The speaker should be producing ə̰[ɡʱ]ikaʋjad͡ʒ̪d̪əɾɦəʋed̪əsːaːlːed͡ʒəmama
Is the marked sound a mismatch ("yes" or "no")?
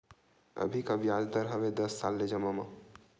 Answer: yes